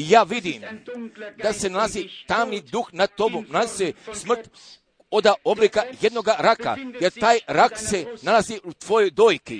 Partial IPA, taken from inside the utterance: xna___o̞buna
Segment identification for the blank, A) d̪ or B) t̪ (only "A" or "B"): B